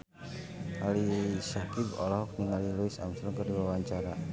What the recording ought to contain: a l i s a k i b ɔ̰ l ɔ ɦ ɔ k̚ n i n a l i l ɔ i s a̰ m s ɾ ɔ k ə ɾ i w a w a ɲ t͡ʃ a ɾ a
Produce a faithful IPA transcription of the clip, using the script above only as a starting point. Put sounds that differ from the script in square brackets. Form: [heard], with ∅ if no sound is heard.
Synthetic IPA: a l i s a k i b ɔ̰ l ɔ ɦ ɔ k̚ n i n a l i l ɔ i s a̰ m s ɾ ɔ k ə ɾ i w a w a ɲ t͡ʃ a ɾ a